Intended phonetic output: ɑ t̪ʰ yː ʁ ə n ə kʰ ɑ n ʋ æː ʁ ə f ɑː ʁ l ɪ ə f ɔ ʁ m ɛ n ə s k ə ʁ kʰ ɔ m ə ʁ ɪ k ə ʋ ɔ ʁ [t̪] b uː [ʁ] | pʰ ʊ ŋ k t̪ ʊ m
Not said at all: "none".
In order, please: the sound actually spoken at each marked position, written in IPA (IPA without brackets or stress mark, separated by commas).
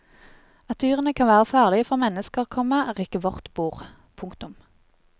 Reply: t̪, ʁ